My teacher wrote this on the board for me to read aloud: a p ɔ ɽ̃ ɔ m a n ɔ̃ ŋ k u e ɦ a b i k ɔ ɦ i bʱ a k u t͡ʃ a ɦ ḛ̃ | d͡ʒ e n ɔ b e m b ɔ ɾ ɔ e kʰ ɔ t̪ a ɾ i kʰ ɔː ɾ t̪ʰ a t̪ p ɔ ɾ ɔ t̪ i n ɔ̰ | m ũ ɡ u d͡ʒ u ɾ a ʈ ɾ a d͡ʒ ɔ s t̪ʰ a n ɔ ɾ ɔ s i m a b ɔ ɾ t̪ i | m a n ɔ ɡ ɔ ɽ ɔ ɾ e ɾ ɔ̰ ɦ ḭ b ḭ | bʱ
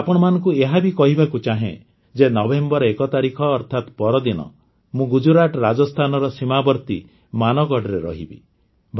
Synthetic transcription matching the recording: a p ɔ ɽ̃ ɔ m a n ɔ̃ ŋ k u e ɦ a b i k ɔ ɦ i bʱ a k u t͡ʃ a ɦ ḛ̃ | d͡ʒ e n ɔ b e m b ɔ ɾ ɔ e k ɔ t̪ a ɾ i kʰ ɔː ɾ t̪ʰ a t̪ p ɔ ɾ ɔ d̪ i n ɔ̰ | m ũ ɡ u d͡ʒ u ɾ a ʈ ɾ a d͡ʒ ɔ s t̪ʰ a n ɔ ɾ ɔ s i m a b ɔ ɾ t̪ i | m a n ɔ ɡ ɔ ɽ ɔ ɾ e ɾ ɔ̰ ɦ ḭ b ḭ | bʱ